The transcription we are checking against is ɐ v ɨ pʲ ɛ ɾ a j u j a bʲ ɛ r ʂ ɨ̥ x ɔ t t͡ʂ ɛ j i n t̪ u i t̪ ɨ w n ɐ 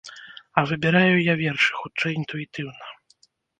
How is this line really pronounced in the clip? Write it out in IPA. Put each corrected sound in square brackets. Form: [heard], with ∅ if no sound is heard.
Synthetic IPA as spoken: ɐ v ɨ [bʲ] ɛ ɾ a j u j a [vʲ] ɛ r ʂ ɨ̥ x [u] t t͡ʂ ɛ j i n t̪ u i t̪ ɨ w n ɐ